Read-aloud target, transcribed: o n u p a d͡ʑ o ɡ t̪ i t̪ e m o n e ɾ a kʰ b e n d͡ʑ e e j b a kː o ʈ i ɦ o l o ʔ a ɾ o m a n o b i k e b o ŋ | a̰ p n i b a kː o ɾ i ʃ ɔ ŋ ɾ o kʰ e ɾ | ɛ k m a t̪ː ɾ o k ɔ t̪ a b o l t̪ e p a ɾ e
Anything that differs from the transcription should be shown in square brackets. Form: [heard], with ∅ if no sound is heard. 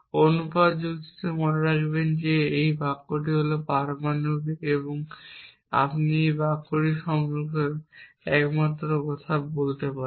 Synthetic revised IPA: o n u p a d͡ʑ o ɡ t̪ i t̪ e m o n e ɾ a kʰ b e n d͡ʑ e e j b a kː o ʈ i ɦ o l o [p] a ɾ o m a n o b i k e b o ŋ | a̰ p n i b a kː o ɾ i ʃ ɔ ŋ ɾ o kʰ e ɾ | ɛ k m a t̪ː ɾ o k ɔ [t̪ʰ] a b o l t̪ e p a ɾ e

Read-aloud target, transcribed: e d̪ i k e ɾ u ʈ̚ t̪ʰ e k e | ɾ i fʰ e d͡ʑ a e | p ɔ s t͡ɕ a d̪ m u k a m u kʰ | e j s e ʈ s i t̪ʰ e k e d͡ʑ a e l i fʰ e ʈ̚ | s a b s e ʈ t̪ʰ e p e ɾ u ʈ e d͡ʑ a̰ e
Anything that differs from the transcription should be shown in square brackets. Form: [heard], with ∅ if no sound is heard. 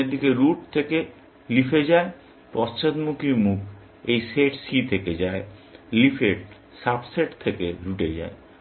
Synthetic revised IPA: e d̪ i k e ɾ u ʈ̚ t̪ʰ e k e | [l] i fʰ e d͡ʑ a e | p ɔ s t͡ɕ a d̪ m u k [i] m u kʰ | e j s e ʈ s i t̪ʰ e k e d͡ʑ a e l i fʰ e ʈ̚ | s a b s e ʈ t̪ʰ e [k] e ɾ u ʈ e d͡ʑ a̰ e

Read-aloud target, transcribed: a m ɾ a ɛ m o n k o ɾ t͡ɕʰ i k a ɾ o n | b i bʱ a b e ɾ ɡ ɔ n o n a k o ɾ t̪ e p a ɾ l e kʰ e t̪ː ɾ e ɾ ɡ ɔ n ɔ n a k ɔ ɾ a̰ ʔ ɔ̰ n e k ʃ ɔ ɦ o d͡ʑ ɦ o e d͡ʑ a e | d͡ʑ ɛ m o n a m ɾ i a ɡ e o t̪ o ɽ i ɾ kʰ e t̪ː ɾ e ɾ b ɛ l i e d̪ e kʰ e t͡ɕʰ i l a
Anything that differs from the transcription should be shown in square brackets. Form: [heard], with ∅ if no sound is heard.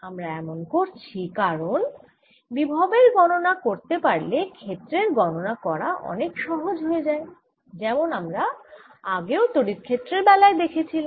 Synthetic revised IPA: a m ɾ a ɛ m o n k o ɾ t͡ɕʰ i k a ɾ o n | b i bʱ a b e ɾ ɡ ɔ n o n a k o ɾ t̪ e p a ɾ l e kʰ e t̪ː ɾ e ɾ ɡ ɔ n [o] n a k ɔ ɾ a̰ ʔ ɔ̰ n e k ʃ ɔ ɦ o d͡ʑ ɦ o e d͡ʑ a e | d͡ʑ ɛ m o n a m ɾ [a] a ɡ e o t̪ o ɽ i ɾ kʰ e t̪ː ɾ e ɾ b ɛ l [a] e d̪ e kʰ e t͡ɕʰ i l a

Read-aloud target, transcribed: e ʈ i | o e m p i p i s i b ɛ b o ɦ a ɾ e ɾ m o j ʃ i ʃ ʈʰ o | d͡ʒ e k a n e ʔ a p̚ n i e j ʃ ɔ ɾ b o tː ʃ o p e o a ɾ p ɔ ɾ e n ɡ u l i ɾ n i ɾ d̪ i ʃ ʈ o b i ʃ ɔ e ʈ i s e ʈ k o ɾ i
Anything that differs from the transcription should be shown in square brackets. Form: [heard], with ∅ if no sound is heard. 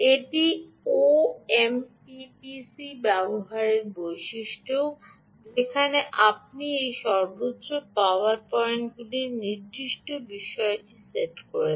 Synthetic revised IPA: e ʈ i | o e m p i p i s i b ɛ b o ɦ a ɾ e ɾ [b] o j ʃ i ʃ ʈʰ o | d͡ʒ e [kʰ] a n e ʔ a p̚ n i e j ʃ ɔ ɾ b o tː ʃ o p [a] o a ɾ p ɔ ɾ e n ɡ u l i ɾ n i ɾ d̪ i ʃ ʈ o b i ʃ ɔ e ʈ i s e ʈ k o ɾ [e]

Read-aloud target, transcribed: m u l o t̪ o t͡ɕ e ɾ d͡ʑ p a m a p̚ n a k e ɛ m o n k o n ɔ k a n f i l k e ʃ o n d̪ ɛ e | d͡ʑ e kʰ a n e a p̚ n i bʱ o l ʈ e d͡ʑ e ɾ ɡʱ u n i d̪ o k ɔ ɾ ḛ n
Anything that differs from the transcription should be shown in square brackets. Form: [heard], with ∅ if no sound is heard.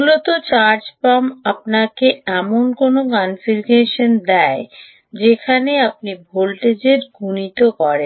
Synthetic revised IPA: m u l o t̪ o t͡ɕ [a] ɾ d͡ʑ p a m a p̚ n a k e ɛ m o n k o n [o] k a n f i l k e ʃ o n d̪ ɛ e | d͡ʑ e kʰ a n e a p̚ n i bʱ o l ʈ e d͡ʑ e ɾ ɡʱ u n i [t̪] o k ɔ ɾ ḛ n

